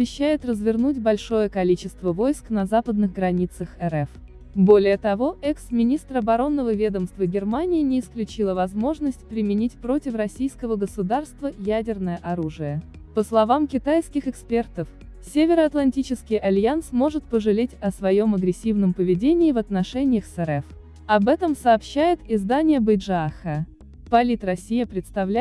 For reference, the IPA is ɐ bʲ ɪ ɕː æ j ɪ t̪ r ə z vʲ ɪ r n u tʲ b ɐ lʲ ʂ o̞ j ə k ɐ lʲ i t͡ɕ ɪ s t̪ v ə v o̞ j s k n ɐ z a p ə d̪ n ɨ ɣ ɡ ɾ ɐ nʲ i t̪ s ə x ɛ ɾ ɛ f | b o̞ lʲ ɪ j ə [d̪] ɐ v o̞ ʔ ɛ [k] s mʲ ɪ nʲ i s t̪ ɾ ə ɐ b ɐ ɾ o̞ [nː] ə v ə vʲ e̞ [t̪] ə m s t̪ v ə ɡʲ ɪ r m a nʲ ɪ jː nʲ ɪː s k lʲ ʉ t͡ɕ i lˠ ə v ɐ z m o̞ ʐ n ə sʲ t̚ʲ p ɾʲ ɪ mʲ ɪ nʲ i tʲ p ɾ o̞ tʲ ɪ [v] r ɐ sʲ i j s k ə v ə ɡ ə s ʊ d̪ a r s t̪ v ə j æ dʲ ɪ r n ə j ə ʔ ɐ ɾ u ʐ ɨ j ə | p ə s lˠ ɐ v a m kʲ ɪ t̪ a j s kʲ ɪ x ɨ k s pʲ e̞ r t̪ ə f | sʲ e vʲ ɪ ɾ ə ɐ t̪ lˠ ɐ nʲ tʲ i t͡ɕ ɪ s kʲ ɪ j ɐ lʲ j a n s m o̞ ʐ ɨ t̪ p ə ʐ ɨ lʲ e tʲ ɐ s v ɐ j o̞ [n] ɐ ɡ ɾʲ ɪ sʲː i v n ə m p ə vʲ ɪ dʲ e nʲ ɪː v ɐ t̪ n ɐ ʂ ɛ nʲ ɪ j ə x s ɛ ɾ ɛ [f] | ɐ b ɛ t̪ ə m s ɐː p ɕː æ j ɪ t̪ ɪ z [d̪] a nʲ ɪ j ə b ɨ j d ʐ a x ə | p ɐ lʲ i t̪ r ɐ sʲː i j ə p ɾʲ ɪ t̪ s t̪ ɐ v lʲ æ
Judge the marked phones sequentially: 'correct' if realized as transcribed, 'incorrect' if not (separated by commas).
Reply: incorrect, correct, correct, incorrect, incorrect, incorrect, correct, correct